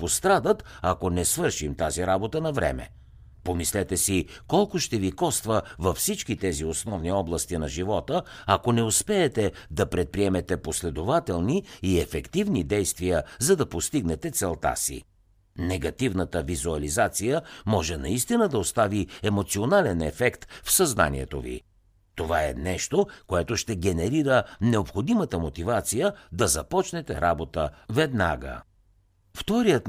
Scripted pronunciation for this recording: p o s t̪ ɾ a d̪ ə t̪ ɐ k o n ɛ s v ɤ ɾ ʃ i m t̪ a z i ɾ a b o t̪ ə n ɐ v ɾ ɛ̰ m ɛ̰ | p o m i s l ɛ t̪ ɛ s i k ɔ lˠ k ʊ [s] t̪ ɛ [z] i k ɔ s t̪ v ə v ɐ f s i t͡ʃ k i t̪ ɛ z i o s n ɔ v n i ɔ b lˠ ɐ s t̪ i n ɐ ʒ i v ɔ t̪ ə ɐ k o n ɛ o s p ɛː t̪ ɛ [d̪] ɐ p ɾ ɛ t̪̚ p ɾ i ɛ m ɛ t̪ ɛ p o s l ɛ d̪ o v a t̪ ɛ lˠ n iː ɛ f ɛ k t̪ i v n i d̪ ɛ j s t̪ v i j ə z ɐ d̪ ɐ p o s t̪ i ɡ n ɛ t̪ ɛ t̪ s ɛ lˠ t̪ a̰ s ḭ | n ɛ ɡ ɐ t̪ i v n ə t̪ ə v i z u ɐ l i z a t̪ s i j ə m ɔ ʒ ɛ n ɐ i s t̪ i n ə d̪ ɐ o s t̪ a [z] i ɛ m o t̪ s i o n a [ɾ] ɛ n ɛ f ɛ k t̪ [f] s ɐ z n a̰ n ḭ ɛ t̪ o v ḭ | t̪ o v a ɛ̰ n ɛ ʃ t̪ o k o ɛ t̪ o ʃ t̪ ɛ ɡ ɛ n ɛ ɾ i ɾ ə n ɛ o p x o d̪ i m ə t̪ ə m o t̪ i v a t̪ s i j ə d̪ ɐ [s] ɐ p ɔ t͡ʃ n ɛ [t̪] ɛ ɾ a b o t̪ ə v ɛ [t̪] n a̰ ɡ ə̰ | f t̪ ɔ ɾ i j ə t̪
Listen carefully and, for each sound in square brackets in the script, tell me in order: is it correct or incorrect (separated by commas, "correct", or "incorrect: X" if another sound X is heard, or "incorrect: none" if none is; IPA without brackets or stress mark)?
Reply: incorrect: ʃ, incorrect: v, correct, incorrect: v, incorrect: l, correct, incorrect: z, correct, incorrect: d̪